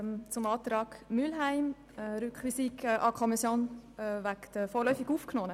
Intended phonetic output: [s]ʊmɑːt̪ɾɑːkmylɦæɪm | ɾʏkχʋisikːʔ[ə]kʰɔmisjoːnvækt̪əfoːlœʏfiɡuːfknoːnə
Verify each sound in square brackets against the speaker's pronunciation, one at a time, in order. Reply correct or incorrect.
incorrect, incorrect

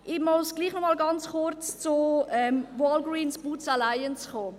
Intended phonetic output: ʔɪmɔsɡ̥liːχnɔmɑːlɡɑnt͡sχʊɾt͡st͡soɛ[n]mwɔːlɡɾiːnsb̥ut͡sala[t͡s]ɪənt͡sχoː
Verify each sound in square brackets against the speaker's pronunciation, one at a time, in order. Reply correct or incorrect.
incorrect, incorrect

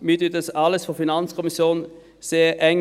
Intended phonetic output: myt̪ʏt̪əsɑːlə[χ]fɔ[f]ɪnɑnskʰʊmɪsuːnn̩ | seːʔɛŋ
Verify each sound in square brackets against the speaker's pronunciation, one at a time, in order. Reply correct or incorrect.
incorrect, correct

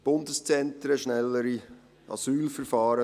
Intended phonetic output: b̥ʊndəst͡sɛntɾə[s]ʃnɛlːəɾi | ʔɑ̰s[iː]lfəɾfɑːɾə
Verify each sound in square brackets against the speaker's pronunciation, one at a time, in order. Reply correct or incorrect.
incorrect, incorrect

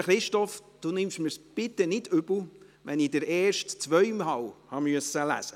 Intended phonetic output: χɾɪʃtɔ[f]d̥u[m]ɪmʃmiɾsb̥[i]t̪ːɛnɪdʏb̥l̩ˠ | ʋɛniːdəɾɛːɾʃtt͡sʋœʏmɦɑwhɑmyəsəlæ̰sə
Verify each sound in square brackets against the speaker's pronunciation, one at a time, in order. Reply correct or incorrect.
correct, incorrect, incorrect

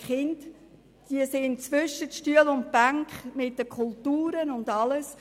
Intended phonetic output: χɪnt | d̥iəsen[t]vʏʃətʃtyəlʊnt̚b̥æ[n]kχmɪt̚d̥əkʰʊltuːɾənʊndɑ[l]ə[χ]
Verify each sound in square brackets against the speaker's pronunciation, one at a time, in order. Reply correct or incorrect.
incorrect, incorrect, correct, incorrect

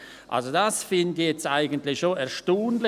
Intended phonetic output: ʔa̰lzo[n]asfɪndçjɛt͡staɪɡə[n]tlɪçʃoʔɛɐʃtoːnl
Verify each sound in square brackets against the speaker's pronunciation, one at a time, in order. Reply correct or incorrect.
incorrect, correct

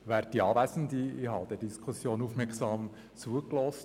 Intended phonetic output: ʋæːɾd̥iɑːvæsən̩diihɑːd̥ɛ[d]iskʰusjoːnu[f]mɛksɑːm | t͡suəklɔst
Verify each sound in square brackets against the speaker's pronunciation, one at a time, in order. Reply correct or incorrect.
correct, correct

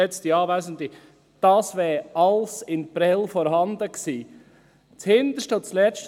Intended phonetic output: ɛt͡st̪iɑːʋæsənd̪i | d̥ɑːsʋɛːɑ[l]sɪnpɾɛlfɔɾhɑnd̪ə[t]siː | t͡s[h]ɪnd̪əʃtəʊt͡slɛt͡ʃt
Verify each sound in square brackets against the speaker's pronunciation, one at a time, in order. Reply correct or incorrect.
correct, incorrect, correct

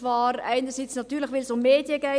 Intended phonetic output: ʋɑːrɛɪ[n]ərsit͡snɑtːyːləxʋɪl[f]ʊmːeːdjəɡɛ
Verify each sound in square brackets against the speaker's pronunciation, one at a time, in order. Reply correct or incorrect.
correct, incorrect

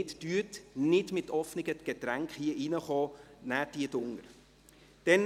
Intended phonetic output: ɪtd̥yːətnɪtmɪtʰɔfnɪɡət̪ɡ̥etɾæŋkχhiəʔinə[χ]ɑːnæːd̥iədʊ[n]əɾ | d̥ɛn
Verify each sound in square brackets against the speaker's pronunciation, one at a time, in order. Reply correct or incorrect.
correct, incorrect

